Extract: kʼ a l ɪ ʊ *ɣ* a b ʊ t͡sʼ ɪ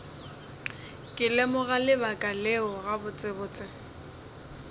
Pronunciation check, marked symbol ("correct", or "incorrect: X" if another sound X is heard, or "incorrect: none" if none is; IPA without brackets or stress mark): correct